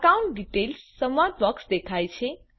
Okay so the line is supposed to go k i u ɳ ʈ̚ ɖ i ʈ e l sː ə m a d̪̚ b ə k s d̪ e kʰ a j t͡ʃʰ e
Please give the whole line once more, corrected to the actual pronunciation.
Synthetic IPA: k a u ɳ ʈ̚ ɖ i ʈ e l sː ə m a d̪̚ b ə k s d̪ e kʰ a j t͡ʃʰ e

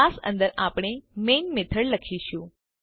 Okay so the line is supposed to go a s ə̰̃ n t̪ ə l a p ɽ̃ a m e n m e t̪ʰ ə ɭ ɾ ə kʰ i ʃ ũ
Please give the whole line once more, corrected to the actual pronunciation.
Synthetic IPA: a s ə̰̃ n d̪ ə ɾ a p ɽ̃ e m e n m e t̪ʰ ə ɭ l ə kʰ i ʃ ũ

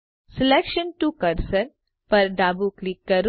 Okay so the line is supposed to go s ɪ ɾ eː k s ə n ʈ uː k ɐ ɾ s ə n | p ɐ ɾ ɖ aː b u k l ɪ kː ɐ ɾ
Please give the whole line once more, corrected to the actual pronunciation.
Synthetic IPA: s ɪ l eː k ʃ ə n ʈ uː k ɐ ɾ s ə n | p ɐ ɾ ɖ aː b u k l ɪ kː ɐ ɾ

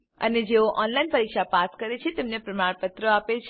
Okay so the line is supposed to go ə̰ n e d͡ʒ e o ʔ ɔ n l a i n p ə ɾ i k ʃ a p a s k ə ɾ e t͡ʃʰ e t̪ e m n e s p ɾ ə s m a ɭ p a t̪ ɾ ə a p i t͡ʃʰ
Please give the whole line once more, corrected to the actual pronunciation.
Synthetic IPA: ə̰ n e d͡ʒ e o ʔ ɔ n l a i n p ə ɾ i k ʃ a p a s k ə ɾ e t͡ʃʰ e t̪ e m n e p ɾ ə m a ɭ p ə t̪ ɾ ə a p e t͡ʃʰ

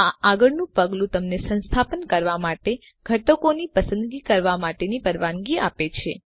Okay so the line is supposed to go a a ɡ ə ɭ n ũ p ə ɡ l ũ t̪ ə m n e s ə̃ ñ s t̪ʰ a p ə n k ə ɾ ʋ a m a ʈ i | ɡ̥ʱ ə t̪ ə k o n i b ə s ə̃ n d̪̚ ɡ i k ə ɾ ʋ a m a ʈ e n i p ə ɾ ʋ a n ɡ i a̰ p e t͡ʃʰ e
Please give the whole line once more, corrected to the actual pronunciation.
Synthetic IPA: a a ɡ ə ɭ n ũ p ə ɡ l ũ t̪ ə m n e s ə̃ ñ s t̪ʰ a p ə n k ə ɾ ʋ a m a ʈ e | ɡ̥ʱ ə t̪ ə k o n i p ə s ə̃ n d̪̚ ɡ i k ə ɾ ʋ a m a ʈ e n i p ə ɾ ʋ a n ɡ i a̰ p e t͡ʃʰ e

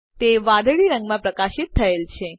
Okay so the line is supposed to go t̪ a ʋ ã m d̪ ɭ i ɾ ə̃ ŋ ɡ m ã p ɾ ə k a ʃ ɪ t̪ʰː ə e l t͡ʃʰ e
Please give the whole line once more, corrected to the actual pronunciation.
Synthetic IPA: t̪ e ʋ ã d̪ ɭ i ɾ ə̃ ŋ ɡ m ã p ɾ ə k a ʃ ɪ t̪ʰː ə e l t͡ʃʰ e

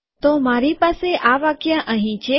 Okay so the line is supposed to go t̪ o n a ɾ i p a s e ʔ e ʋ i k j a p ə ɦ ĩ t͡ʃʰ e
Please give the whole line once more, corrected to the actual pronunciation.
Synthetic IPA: t̪ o m a ɾ i p a s e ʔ a ʋ a k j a ʔ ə ɦ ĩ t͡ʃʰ e

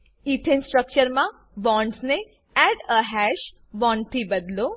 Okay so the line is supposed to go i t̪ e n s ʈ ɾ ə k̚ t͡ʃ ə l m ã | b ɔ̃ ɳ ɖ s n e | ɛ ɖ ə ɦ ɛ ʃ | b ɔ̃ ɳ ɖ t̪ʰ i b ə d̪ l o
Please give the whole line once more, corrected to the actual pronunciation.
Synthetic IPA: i t̪ʰ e n s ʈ ɾ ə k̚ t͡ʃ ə ɾ m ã | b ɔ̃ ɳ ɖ s n e | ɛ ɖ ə ɦ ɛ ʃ | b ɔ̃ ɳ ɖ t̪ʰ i b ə d̪ l o

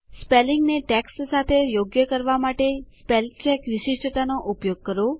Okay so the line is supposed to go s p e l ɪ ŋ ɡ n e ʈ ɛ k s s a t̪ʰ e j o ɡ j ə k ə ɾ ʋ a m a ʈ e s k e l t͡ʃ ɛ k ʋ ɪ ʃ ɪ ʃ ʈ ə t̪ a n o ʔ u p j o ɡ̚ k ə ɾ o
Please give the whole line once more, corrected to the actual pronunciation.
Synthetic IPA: s p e l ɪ ŋ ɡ n e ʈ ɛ k s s a t̪ʰ e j o ɡ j ə k ə ɾ ʋ a m a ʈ e s p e l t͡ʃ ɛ k ʋ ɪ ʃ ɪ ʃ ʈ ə t̪ a n o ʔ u p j o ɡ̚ k ə ɾ o

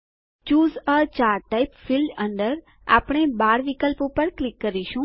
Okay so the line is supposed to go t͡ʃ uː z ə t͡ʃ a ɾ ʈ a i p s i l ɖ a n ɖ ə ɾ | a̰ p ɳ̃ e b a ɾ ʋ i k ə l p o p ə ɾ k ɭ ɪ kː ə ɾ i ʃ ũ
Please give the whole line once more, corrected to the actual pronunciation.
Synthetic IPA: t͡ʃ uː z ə t͡ʃ a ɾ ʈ a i p f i l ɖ ə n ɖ ə ɾ | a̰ p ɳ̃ e b a ɾ ʋ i k ə l p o p ə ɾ k l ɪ kː ə ɾ i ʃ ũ

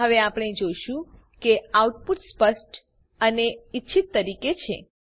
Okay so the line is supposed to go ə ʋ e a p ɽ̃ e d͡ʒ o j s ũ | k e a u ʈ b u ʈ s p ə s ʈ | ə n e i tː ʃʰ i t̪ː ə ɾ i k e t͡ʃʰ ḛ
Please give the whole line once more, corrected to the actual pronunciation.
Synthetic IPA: ə ʋ e a p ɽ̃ e d͡ʒ o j ʃ ũ | k e a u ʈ p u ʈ s p ə s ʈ | ə n e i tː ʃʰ i t̪ː ə ɾ i k e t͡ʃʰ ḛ

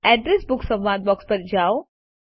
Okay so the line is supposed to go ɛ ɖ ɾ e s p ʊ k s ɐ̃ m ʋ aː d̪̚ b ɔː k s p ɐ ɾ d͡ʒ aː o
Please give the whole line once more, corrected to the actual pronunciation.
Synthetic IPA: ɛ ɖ ɾ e s b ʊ k s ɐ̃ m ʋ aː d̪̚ b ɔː k s p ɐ ɾ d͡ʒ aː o

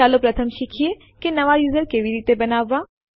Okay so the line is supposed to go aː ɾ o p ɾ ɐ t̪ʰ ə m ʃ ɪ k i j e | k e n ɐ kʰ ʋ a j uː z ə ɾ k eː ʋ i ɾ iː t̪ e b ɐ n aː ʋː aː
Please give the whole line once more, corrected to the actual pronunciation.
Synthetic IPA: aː l o p ɾ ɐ t̪ʰ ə m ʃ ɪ kʰ i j e | k e n ɐ ʋ a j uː z ə ɾ k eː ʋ i ɾ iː t̪ e b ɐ n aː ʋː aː

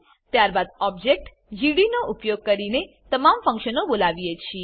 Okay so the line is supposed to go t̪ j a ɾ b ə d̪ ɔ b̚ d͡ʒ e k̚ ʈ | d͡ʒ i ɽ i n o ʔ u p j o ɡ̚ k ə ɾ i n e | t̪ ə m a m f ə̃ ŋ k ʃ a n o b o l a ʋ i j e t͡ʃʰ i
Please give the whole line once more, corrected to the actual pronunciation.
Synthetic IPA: t̪ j a ɾ b a d̪ ɔ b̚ d͡ʒ e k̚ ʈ | d͡ʒ i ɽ i n o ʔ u p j o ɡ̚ k ə ɾ i n e | t̪ ə m a m f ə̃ ŋ k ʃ ə n o b o l a ʋ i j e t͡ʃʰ i

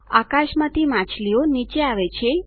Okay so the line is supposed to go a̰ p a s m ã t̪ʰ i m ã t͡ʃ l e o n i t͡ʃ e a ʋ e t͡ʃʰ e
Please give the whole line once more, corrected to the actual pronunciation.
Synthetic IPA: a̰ k a ʃ m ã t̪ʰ i m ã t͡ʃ l i o n i t͡ʃ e a ʋ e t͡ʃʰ e

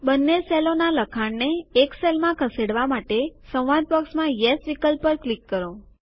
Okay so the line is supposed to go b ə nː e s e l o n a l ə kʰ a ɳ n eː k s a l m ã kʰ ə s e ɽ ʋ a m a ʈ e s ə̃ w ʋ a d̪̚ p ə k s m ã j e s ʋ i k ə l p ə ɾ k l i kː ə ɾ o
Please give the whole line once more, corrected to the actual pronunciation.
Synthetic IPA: b ə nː e s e l o n a l ə kʰ a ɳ n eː k s e l m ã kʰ ə s e ɽ ʋ a m a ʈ e s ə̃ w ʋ a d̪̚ p ə k s m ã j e s ʋ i k ə l p ə ɾ k l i kː ə ɾ o

